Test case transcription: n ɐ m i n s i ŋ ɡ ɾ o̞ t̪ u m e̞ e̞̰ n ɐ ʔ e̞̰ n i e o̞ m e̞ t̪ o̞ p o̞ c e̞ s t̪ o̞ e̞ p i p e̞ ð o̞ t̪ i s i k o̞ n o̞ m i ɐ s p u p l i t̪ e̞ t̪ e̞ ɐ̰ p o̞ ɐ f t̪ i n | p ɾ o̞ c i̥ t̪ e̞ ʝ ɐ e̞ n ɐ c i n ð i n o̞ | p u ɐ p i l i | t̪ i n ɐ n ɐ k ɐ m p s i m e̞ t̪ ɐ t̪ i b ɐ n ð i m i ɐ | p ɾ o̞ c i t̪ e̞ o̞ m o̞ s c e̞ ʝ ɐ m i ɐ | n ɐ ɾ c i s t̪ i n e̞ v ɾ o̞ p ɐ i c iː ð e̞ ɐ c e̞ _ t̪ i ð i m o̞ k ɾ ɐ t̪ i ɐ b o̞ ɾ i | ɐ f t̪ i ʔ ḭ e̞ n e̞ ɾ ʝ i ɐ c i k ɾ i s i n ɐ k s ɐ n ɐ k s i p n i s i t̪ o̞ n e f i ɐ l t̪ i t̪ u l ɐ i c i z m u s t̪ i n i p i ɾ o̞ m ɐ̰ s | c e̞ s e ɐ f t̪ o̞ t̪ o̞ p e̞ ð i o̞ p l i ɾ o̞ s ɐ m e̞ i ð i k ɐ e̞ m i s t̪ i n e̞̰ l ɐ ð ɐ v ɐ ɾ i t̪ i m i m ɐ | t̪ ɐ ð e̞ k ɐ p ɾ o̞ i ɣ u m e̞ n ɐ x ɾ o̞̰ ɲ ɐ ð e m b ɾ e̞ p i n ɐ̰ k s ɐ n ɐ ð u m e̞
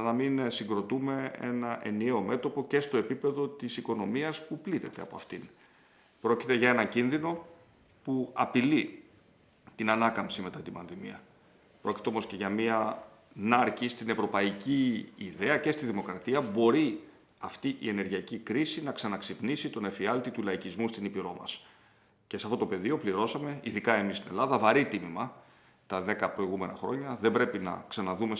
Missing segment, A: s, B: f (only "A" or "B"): A